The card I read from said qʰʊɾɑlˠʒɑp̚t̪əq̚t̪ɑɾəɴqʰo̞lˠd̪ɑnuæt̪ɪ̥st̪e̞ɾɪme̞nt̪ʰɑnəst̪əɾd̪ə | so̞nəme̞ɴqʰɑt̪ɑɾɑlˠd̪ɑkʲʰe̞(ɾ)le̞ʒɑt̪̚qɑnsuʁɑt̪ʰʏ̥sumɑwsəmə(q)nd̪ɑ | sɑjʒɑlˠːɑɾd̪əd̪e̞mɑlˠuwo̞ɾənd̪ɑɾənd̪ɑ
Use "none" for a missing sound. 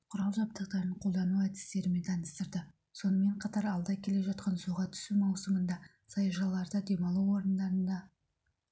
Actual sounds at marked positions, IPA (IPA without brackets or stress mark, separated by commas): none, none